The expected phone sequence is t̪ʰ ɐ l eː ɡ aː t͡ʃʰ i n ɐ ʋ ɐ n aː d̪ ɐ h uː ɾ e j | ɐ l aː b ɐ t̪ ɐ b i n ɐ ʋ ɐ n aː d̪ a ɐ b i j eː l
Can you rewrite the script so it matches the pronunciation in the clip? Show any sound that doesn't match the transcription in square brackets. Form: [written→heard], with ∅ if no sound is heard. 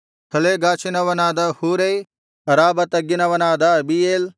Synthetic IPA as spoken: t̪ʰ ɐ l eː ɡ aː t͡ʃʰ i n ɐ ʋ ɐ n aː d̪ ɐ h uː ɾ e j | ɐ [l→ɾ] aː b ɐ t̪ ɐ [b→ɡ] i n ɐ ʋ ɐ n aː d̪ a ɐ b i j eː l